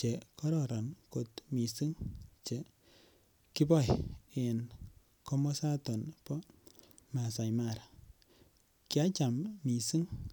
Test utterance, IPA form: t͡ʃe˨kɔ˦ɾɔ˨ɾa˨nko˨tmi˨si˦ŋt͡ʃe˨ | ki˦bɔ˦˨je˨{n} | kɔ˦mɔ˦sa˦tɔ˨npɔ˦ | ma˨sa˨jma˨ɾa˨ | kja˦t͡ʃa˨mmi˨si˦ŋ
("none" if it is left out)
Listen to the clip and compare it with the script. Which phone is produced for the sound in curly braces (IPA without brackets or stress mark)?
n